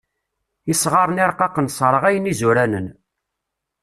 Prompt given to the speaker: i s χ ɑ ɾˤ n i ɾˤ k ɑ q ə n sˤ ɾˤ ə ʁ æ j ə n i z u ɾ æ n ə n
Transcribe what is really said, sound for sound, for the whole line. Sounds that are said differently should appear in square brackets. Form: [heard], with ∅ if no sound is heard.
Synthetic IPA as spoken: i s [ʁ] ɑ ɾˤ n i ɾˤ [q] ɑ q ə n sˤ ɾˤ ə ʁ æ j ə n i z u ɾ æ n ə n